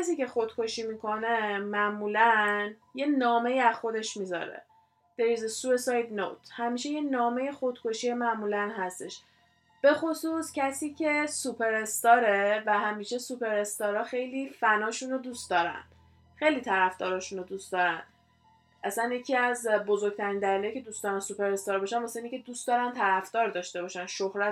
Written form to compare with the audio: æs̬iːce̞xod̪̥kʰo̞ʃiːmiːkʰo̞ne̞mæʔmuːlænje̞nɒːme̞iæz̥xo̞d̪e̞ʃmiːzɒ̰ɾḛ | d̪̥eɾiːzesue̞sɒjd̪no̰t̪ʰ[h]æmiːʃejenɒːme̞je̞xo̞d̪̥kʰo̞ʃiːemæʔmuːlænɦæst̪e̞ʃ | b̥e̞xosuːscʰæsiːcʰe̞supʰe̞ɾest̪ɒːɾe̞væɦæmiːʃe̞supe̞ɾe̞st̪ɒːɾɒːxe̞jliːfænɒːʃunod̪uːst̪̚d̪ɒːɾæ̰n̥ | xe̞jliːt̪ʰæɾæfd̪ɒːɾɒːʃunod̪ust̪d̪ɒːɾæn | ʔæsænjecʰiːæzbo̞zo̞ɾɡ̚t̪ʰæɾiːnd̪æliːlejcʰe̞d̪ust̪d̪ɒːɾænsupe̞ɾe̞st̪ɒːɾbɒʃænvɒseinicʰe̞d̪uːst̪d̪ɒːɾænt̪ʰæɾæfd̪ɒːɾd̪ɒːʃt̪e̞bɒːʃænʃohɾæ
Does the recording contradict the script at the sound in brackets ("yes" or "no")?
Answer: no